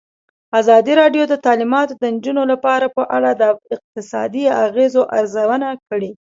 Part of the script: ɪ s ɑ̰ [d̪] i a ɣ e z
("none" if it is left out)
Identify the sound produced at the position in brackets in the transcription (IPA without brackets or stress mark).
d̪